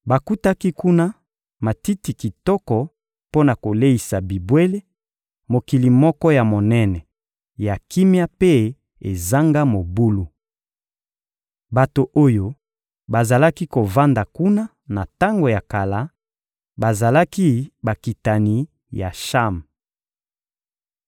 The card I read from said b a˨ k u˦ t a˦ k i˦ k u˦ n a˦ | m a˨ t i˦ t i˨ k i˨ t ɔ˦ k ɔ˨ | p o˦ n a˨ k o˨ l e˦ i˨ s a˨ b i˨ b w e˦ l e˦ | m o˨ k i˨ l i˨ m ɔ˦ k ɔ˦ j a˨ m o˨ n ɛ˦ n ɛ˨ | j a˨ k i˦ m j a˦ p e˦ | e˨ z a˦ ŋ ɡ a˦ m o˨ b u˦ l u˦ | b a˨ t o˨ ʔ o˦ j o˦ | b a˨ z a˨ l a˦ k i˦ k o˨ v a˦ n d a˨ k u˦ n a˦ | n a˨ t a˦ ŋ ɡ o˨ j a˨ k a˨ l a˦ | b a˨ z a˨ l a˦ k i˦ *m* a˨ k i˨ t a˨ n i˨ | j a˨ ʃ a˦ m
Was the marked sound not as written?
yes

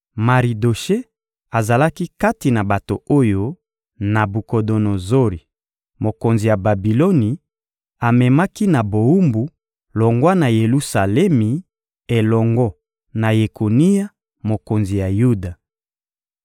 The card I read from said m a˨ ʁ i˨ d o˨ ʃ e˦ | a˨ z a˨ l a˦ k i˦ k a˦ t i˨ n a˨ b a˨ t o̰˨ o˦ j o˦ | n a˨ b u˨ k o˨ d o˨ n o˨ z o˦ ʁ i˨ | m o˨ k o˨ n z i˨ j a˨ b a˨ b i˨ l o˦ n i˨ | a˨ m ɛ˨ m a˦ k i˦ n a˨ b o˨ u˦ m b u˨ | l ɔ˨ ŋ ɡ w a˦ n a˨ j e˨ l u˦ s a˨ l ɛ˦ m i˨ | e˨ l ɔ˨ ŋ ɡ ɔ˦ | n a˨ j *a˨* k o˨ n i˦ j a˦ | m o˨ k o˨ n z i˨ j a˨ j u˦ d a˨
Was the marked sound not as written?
yes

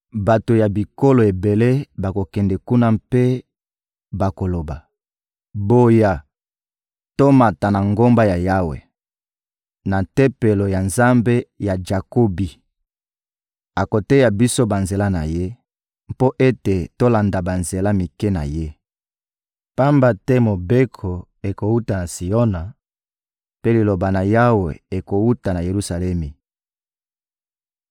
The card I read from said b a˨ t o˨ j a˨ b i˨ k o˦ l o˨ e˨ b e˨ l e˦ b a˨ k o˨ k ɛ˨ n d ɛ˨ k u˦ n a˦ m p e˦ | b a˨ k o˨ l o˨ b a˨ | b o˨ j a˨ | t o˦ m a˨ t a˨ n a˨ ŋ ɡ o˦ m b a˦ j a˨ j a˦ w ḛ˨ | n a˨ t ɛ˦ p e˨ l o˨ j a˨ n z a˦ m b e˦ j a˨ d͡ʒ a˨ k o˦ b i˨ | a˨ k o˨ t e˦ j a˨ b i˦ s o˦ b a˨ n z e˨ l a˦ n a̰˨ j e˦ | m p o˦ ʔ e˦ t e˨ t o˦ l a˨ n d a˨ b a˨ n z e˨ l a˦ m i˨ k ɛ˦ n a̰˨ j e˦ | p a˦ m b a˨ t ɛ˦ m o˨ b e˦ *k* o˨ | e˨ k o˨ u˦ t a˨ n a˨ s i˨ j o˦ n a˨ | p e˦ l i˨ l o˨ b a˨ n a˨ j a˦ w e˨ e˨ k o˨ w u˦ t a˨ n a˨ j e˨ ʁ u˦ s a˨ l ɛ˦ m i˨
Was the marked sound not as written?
yes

